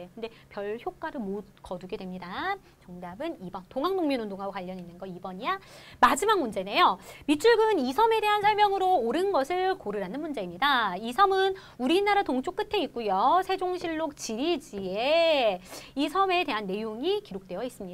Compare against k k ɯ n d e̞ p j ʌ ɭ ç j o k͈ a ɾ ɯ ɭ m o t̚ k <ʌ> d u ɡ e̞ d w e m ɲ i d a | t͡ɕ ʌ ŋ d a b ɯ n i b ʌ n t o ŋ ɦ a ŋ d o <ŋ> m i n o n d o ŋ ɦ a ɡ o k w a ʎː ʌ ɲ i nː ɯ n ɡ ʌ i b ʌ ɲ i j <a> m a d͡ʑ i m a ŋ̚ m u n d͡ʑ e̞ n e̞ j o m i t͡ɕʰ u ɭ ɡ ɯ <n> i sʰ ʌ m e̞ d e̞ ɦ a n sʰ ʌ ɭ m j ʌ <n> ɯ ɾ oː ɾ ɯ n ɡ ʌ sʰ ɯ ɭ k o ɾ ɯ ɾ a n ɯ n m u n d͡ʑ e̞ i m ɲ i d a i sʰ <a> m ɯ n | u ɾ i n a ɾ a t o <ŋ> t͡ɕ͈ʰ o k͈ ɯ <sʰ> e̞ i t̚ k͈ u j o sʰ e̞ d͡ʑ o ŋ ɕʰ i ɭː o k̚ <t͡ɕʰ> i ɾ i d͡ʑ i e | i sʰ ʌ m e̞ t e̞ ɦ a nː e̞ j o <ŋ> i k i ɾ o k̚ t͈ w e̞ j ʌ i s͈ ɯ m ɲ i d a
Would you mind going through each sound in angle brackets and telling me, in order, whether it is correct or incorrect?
correct, correct, correct, correct, incorrect: ŋ, incorrect: ʌ, correct, incorrect: tʰ, incorrect: t͡ɕ, correct

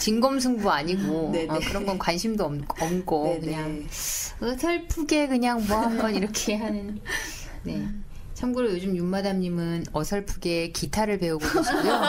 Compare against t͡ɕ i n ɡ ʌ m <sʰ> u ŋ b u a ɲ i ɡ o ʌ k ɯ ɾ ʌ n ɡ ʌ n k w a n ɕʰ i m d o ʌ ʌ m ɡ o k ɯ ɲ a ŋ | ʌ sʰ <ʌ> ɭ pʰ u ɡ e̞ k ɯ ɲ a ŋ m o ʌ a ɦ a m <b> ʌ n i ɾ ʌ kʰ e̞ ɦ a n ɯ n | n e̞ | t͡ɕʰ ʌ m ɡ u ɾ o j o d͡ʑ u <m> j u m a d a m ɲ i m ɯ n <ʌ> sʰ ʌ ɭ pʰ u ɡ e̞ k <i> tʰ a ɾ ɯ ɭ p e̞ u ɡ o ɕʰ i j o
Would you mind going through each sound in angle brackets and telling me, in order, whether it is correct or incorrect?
correct, correct, correct, correct, correct, correct

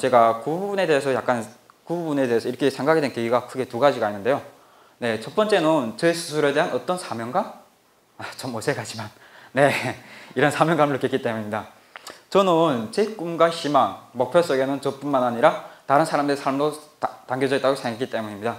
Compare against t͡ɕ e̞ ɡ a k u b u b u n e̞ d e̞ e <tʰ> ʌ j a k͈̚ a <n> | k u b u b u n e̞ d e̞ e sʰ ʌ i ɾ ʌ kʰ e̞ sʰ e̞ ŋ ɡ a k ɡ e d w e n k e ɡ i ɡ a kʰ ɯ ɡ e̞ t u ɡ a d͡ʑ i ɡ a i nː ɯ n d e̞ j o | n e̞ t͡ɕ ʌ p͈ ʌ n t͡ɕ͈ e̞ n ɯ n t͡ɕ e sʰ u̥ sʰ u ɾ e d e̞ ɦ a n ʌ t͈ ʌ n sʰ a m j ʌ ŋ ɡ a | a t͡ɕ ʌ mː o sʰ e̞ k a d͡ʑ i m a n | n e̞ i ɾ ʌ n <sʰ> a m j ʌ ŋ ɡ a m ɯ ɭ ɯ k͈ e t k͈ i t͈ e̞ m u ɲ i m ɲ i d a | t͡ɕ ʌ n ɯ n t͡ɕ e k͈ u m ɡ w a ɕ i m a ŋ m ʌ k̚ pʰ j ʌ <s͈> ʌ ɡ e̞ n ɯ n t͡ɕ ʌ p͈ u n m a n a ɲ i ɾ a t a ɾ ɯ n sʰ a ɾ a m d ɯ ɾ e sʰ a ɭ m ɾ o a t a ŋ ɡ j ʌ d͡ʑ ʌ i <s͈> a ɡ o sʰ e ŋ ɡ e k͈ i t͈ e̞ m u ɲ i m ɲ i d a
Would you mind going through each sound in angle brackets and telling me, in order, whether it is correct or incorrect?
incorrect: sʰ, correct, correct, correct, incorrect: t͈

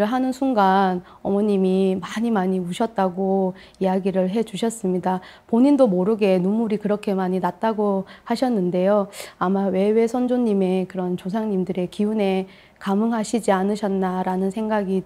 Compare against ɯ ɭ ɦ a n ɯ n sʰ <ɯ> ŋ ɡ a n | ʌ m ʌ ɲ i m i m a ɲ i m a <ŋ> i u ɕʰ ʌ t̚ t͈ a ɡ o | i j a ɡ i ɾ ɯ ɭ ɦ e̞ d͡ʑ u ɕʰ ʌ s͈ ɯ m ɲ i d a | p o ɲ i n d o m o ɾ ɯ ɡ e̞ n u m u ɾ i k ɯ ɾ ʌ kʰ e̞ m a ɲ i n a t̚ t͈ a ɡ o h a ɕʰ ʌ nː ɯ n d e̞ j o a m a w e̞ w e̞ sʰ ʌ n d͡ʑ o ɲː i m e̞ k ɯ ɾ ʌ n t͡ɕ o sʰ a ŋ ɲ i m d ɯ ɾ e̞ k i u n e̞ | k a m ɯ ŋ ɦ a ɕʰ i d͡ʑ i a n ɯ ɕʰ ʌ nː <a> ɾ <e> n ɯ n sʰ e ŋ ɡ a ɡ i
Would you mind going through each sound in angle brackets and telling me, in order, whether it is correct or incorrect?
incorrect: u, incorrect: ɲ, correct, incorrect: a

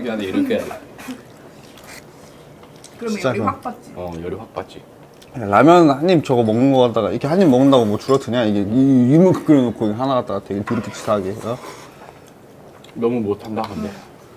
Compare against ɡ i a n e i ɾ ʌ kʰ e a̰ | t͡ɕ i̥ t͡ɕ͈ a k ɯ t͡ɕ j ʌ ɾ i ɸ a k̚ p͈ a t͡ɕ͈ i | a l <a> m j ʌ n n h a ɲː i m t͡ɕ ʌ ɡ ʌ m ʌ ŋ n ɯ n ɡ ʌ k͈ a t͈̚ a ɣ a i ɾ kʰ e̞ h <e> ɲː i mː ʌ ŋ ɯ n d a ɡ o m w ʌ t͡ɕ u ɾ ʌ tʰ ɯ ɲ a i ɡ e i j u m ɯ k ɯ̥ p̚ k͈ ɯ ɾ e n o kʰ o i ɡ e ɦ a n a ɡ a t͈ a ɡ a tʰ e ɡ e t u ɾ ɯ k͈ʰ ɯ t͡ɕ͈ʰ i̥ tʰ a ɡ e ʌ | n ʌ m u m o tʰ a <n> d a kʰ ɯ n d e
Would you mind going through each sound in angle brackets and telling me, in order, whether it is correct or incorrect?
correct, incorrect: a, correct

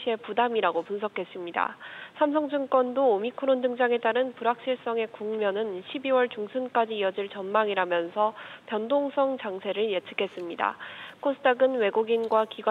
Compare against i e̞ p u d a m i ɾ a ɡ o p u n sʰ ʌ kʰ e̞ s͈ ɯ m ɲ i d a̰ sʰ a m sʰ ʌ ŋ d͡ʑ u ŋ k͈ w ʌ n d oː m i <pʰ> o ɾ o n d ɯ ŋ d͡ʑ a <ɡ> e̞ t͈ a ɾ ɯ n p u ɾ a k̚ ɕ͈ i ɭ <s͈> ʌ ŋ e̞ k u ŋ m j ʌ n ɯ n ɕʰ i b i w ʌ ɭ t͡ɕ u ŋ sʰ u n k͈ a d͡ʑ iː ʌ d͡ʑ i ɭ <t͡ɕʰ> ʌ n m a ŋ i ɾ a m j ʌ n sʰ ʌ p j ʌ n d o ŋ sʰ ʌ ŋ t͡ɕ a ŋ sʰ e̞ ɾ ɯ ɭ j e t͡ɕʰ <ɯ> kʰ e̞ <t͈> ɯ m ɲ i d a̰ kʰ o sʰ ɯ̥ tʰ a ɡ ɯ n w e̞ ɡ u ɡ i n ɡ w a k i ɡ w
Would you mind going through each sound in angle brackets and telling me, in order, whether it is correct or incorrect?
incorrect: kʰ, incorrect: ŋ, correct, incorrect: t͡ɕ, correct, incorrect: s͈

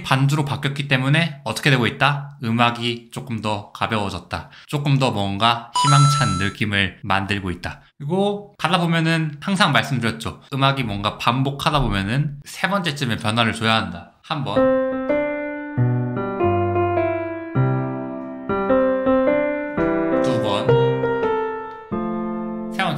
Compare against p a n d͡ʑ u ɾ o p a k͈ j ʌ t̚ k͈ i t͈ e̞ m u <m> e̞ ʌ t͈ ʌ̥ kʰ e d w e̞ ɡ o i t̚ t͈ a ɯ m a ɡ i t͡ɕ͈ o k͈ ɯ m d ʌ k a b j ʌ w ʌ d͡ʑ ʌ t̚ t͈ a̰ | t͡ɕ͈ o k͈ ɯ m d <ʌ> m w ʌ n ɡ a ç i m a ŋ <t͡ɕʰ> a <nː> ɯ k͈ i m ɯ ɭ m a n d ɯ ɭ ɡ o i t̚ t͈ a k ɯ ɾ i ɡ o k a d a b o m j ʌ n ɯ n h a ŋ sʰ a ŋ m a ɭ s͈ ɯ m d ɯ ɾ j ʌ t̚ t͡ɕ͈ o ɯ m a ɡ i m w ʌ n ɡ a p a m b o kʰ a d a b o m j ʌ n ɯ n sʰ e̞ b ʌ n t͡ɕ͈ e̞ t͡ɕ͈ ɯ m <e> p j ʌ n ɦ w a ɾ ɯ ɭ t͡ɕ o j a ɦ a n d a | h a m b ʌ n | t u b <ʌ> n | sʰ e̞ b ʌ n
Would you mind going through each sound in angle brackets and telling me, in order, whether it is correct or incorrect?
incorrect: n, correct, correct, correct, correct, correct

